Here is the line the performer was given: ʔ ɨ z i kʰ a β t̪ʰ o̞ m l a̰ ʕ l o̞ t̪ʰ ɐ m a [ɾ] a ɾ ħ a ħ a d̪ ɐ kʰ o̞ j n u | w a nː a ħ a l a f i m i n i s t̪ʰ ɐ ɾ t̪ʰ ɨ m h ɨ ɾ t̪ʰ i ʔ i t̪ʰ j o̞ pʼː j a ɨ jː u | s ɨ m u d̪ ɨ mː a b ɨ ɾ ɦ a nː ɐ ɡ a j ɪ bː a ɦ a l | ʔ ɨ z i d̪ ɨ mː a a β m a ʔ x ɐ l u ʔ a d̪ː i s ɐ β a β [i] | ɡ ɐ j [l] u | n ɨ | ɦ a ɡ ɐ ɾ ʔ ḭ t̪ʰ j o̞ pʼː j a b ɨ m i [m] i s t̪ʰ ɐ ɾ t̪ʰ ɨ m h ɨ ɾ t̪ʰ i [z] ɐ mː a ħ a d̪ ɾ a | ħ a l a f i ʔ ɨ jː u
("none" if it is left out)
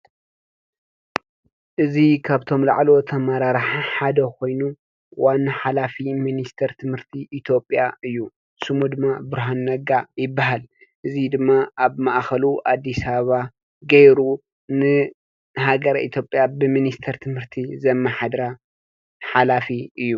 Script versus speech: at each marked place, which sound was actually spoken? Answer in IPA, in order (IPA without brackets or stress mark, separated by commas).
ɾ, a, ɾ, n, z